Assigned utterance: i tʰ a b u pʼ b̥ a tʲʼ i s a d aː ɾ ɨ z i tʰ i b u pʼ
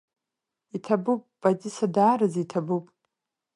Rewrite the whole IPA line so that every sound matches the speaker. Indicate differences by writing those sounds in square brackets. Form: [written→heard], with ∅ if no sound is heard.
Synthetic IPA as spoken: i tʰ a b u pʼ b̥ a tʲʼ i s a d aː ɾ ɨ z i tʰ [i→a] b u pʼ